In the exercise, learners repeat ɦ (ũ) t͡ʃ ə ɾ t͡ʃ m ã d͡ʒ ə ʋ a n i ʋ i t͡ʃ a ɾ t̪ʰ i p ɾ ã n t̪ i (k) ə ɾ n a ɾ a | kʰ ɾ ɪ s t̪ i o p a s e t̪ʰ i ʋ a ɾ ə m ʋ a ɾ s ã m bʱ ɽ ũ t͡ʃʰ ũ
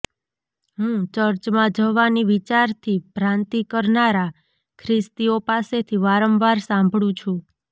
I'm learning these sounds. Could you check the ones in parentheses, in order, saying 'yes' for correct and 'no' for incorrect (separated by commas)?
yes, yes